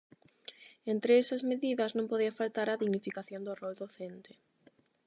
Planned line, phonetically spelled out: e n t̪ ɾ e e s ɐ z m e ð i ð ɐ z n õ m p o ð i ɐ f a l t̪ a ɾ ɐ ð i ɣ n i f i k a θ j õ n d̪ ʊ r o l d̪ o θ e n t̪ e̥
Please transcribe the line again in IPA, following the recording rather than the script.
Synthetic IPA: e n t̪ ɾ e e s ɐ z m e ð i ð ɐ z n õ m p o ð i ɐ f a l t̪ a ɾ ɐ ð i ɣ n i f i k a θ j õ n d̪ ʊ r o l d̪ o θ e n t̪ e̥